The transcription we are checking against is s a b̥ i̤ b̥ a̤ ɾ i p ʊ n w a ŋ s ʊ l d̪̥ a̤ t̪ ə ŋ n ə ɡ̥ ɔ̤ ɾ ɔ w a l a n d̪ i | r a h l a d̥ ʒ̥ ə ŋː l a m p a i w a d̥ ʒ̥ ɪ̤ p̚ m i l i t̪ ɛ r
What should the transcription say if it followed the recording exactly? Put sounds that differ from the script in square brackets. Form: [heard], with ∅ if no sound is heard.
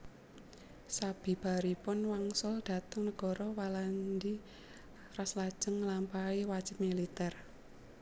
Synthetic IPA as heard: s a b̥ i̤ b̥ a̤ ɾ i p ʊ n w a ŋ s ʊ l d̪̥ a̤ t̪ ə ŋ n ə ɡ̥ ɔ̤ ɾ ɔ w a l a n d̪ i | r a [s] l a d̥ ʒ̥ ə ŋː l a m p a i w a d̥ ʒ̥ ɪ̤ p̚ m i l i t̪ ɛ r